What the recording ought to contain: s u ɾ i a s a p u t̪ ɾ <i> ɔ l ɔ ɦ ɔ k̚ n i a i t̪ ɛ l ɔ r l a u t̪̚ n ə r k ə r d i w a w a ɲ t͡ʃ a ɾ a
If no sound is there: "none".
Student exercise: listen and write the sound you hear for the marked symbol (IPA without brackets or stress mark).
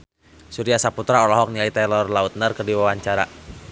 a